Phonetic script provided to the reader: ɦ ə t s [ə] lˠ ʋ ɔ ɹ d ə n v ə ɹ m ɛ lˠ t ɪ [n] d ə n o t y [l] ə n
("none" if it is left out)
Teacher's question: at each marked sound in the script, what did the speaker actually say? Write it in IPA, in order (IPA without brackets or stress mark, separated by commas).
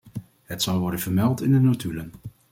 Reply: ɑ, n, l